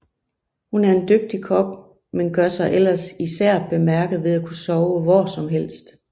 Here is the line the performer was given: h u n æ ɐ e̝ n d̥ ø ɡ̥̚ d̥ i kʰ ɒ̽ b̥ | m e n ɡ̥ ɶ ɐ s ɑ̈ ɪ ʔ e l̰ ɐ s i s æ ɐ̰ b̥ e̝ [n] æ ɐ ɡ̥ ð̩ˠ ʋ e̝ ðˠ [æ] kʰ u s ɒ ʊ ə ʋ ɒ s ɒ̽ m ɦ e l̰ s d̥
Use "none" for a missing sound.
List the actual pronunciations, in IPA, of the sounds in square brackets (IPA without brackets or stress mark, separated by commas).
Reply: m, æ